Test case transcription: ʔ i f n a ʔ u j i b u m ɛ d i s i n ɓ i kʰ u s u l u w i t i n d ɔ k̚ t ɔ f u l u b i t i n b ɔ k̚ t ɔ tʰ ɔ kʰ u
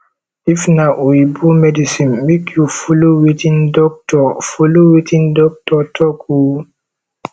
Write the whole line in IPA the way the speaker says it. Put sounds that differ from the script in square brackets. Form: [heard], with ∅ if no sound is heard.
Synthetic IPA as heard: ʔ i f n a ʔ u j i b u m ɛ d i s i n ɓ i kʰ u [f] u l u w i t i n d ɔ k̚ t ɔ f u l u [w] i t i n [d] ɔ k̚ t ɔ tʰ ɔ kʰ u